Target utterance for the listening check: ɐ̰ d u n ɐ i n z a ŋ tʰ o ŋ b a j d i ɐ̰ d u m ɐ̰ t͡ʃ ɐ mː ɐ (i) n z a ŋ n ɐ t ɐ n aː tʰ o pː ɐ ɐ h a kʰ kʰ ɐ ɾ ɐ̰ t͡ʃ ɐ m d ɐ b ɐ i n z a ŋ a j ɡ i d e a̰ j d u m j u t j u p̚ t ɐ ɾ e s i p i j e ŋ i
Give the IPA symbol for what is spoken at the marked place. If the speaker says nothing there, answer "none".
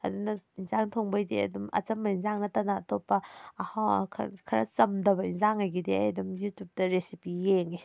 i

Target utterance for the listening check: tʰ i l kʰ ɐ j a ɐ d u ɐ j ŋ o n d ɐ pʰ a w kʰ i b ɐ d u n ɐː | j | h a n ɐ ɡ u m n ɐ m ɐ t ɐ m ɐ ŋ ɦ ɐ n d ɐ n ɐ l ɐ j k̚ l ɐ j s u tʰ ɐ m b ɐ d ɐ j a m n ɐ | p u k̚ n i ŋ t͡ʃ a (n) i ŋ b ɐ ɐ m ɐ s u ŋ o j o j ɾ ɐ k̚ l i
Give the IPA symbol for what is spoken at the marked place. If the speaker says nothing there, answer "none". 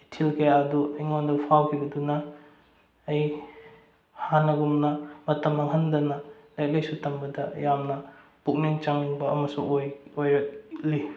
ŋ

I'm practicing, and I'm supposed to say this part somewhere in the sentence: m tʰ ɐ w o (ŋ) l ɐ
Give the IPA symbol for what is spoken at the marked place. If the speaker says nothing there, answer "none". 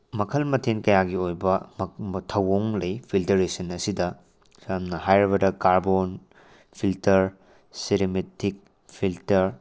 ŋ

